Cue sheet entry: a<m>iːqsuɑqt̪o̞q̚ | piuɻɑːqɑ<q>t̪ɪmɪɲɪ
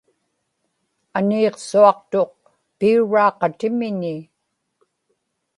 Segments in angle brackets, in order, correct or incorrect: incorrect, incorrect

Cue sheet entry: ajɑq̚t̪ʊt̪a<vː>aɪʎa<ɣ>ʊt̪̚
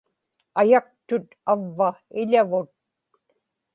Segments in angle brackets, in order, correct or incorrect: correct, incorrect

